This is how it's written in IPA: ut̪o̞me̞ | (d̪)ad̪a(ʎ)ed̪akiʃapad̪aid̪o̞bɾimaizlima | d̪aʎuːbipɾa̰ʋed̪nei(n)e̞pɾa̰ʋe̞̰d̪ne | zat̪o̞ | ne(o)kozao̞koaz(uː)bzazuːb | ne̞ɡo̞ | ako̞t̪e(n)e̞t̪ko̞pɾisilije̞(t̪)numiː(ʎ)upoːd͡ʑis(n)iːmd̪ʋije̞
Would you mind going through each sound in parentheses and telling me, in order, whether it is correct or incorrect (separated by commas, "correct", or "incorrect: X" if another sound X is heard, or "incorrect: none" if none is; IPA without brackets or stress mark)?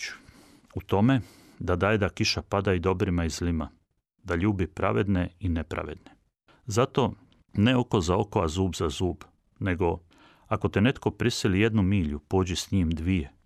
correct, incorrect: j, correct, correct, correct, correct, incorrect: d̪, correct, incorrect: ɲ